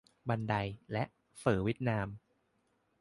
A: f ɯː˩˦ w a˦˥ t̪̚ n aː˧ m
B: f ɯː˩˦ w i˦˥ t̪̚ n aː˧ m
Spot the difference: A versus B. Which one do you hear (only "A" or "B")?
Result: B